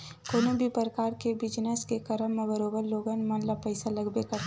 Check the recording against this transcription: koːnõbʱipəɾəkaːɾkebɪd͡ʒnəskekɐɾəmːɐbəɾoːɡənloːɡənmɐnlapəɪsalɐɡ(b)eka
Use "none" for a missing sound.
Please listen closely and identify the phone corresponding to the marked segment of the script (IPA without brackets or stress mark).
b